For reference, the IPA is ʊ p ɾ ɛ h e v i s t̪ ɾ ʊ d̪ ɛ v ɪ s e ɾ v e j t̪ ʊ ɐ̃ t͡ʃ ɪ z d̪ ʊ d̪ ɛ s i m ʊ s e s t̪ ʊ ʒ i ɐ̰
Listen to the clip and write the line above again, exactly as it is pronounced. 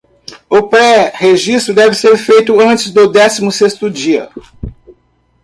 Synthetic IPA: ʊ p ɾ ɛ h e ʒ i s t̪ ɾ ʊ d̪ ɛ v ɪ s e ɾ f e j t̪ ʊ ɐ̃ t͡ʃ ɪ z d̪ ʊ d̪ ɛ s i m ʊ s e s t̪ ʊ d͡ʒ i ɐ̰